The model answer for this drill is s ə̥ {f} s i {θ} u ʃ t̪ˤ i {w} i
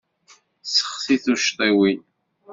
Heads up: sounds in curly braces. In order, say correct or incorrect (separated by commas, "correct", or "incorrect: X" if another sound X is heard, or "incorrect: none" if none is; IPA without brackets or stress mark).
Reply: incorrect: χ, correct, correct